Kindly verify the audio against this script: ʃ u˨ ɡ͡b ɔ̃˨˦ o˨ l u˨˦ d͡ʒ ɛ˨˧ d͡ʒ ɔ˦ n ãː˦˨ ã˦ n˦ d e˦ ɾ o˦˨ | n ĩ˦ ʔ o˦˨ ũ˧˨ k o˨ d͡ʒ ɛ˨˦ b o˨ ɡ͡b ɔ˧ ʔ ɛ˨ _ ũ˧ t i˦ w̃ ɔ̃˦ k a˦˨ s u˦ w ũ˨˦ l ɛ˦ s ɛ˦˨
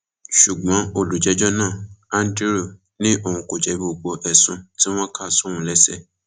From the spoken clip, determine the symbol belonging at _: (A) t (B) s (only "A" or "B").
B